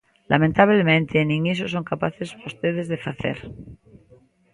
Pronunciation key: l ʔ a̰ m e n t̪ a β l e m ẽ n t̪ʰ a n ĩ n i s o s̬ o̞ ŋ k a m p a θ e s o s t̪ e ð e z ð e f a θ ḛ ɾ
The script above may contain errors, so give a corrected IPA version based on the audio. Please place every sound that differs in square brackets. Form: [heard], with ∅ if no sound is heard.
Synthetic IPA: l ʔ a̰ m [ẽ] n t̪ a β l e m ẽ n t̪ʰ [e] n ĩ [ŋ] i s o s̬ o̞ ŋ k a [∅] p a θ e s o s t̪ e ð e z ð e f a θ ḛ ɾ